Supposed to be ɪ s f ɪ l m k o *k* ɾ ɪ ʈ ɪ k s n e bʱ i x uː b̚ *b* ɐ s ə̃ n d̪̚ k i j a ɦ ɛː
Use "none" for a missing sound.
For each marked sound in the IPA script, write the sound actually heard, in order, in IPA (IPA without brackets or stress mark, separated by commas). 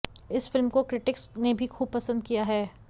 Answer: k, p